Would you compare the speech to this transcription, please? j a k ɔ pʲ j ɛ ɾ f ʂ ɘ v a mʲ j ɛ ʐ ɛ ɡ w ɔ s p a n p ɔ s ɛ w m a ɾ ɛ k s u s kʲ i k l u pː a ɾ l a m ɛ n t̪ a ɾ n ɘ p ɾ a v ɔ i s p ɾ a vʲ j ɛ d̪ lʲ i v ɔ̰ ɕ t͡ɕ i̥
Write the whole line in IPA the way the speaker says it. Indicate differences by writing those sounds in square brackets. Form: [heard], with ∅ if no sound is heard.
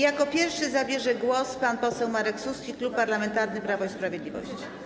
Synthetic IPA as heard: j a k ɔ pʲ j ɛ ɾ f ʂ ɘ [z] a [bʲ] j ɛ ʐ ɛ ɡ w ɔ s p a n p ɔ s ɛ w m a ɾ ɛ k s u s kʲ i k l u pː a ɾ l a m ɛ n t̪ a ɾ n ɘ p ɾ a v ɔ i s p ɾ a vʲ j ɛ d̪ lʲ i v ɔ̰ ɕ t͡ɕ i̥